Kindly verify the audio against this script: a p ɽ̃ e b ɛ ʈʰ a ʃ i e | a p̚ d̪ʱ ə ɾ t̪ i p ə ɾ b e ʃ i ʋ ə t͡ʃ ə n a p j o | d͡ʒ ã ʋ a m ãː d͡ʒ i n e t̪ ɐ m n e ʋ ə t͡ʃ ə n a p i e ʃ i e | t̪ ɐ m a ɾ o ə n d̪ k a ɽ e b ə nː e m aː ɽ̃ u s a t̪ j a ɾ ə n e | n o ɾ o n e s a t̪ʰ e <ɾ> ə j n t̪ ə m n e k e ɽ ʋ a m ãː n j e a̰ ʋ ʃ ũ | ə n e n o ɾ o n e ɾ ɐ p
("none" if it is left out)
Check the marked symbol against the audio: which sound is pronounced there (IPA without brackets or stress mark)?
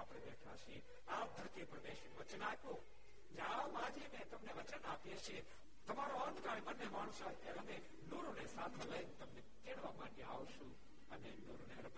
l